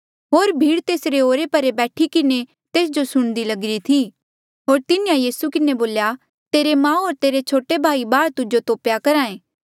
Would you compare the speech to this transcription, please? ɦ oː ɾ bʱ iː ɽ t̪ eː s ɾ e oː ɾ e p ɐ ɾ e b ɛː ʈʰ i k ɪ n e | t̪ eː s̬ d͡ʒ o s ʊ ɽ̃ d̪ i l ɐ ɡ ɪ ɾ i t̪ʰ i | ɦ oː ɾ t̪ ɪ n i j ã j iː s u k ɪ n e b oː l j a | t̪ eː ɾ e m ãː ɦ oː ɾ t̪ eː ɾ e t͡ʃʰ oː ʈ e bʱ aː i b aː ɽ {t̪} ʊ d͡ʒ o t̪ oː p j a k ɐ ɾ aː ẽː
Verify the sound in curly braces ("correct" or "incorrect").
correct